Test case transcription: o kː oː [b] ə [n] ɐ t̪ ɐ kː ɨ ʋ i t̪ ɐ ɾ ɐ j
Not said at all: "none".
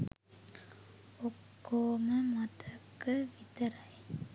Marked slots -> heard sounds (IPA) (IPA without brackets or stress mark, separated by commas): m, m